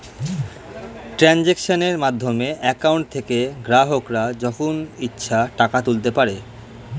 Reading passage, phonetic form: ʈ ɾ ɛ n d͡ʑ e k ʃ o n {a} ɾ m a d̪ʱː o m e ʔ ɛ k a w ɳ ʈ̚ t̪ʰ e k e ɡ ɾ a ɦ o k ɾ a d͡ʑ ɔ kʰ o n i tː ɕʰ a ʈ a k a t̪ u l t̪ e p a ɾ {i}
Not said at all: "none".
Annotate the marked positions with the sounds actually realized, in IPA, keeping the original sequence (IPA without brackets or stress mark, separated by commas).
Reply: e, e